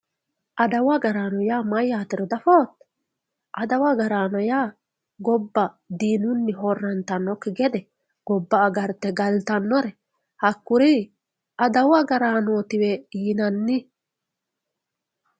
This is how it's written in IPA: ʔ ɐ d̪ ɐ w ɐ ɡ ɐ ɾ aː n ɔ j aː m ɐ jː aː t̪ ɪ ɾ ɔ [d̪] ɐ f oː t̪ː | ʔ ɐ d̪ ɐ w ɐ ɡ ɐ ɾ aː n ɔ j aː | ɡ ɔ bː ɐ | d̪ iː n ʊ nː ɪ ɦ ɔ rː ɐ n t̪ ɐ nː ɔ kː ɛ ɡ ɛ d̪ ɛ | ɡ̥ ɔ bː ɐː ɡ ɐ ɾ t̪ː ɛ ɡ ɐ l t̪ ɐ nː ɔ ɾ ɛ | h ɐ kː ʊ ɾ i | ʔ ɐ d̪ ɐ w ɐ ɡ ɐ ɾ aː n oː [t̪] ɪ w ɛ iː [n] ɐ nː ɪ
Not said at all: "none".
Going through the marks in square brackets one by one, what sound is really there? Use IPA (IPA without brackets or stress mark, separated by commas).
d̪, t̪, n